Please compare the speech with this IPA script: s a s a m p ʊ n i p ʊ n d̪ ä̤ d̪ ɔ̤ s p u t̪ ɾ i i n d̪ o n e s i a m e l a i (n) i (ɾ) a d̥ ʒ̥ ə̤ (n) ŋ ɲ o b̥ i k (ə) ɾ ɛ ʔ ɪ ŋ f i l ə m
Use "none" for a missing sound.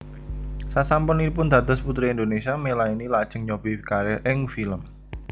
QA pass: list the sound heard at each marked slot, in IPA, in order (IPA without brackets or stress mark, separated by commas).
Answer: n, l, none, a